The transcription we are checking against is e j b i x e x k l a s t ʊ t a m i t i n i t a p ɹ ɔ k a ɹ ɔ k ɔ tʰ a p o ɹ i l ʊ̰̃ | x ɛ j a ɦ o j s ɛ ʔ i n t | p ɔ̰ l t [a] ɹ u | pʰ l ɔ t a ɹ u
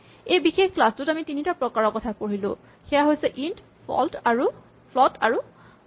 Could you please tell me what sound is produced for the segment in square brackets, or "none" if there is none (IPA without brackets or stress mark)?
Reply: a